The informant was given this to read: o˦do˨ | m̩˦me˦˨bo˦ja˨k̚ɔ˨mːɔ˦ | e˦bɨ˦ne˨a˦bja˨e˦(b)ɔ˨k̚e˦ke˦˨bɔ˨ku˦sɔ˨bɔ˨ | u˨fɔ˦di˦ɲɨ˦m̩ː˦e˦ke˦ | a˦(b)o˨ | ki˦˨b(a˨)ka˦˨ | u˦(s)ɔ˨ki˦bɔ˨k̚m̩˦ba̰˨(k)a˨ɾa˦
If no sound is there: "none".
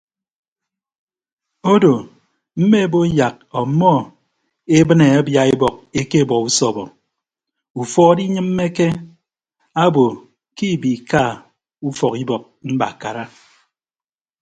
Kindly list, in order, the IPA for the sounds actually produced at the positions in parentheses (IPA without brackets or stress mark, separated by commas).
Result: b, b, i˨, f, k